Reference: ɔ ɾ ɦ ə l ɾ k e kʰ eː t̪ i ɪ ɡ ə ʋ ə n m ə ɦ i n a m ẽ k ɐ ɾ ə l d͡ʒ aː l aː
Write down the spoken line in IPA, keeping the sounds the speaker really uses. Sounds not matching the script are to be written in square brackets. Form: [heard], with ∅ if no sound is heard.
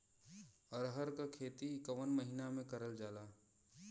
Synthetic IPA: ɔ ɾ ɦ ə [∅] ɾ k [a] kʰ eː t̪ i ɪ [k] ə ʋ ə n m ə ɦ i n a m ẽ k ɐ ɾ ə l d͡ʒ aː l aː

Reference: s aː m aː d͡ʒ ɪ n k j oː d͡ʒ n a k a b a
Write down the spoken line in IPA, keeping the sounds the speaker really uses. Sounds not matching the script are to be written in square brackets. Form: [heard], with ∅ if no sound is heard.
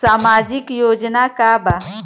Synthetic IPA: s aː m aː d͡ʒ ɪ [∅] k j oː d͡ʒ n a k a b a

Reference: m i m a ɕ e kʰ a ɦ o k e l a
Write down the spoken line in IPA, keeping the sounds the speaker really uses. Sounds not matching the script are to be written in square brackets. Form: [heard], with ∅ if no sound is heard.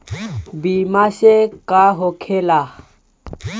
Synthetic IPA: [b] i m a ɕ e [k] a ɦ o [kʰ] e l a

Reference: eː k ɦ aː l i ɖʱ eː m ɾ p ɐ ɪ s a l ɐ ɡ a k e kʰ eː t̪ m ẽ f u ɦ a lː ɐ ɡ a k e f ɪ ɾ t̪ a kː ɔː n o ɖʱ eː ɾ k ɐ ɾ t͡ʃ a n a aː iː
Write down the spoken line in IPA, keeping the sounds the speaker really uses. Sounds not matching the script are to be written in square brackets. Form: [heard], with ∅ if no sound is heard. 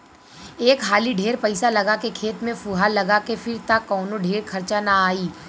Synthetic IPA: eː k ɦ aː l i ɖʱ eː [∅] ɾ p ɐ ɪ s a l ɐ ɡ a k e kʰ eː t̪ m ẽ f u ɦ a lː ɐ ɡ a k e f ɪ ɾ t̪ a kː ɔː n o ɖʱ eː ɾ [kʰ] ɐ ɾ t͡ʃ a n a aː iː

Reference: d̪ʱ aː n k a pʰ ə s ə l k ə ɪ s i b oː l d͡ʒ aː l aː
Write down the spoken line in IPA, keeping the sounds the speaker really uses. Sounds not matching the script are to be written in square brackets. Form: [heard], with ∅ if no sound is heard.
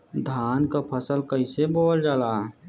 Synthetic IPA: d̪ʱ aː n k a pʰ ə s ə l k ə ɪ s [e] b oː l d͡ʒ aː l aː

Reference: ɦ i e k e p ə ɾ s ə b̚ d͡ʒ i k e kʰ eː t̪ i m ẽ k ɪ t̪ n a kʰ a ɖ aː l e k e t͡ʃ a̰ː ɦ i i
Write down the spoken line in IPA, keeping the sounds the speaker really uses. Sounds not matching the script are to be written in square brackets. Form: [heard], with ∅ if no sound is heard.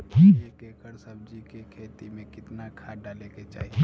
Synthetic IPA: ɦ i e k e [k] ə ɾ s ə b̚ d͡ʒ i k e kʰ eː t̪ i m ẽ k ɪ t̪ n a kʰ a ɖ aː l e k e t͡ʃ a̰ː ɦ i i

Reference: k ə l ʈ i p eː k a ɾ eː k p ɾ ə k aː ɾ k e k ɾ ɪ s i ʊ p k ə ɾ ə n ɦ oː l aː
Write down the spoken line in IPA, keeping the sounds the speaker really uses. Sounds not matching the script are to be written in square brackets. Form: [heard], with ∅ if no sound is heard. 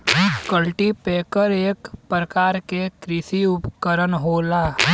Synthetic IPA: k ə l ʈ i p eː k [ə] ɾ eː k p ɾ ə k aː ɾ k e k ɾ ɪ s i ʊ p k ə ɾ ə n ɦ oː l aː

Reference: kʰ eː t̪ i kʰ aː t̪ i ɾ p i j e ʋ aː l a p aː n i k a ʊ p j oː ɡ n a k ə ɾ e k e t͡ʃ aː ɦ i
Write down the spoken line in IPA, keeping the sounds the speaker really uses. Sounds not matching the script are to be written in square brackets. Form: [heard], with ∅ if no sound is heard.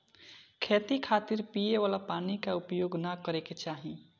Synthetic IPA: kʰ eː t̪ i kʰ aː t̪ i ɾ p i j e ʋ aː l a p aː n i k a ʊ p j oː ɡ n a k ə ɾ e k e t͡ʃ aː ɦ i

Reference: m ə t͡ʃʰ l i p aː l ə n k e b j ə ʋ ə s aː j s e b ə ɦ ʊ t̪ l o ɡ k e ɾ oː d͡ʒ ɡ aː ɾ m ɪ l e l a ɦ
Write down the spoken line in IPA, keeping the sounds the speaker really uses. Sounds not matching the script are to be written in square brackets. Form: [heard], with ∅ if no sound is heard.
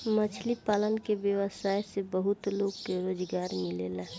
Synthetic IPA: m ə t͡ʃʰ l i p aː l ə n k e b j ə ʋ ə s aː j s e b ə ɦ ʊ t̪ l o ɡ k e ɾ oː d͡ʒ ɡ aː ɾ m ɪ l e l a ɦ

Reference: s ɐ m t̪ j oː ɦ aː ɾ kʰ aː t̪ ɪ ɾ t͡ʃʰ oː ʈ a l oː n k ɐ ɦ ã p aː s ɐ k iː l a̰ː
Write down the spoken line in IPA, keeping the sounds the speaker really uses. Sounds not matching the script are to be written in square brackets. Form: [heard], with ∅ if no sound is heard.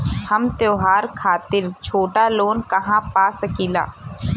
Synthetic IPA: [h] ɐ m t̪ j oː ɦ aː ɾ kʰ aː t̪ ɪ ɾ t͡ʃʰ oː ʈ a l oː n k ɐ ɦ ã p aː s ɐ k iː l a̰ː

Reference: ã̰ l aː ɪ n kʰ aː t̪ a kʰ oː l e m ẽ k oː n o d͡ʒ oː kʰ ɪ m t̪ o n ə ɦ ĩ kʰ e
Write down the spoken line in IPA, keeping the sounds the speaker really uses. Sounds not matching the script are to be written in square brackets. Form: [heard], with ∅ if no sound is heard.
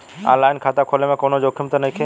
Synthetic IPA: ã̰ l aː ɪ n kʰ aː t̪ a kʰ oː l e m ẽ k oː n o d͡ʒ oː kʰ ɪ m t̪ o n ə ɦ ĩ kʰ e

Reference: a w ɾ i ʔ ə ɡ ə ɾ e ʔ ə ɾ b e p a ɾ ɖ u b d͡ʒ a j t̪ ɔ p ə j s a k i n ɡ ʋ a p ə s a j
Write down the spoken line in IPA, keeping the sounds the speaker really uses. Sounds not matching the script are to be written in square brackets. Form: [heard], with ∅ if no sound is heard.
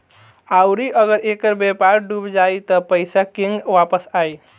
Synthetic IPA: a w ɾ i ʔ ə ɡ ə ɾ e [k] ə ɾ b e p a ɾ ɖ u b d͡ʒ a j t̪ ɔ p ə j s a k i [ŋ] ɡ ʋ a p ə s a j

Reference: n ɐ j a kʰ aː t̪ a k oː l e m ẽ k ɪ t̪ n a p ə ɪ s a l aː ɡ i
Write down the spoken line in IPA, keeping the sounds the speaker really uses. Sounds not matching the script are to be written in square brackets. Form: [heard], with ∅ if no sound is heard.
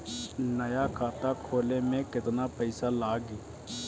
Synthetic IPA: n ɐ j a kʰ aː t̪ a [kʰ] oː l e m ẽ k ɪ t̪ n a p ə ɪ s a l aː ɡ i

